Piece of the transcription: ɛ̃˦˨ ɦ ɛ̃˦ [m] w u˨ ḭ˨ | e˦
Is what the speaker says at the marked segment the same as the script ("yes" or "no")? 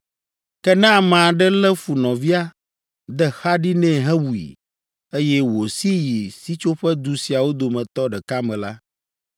no